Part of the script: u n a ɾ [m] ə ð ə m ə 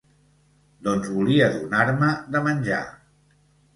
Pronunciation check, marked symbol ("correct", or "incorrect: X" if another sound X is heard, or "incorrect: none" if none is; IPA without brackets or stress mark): correct